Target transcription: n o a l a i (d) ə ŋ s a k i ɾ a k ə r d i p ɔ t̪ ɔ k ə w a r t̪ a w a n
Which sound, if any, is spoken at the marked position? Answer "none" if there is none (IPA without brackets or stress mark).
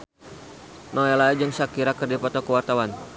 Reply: d͡ʒ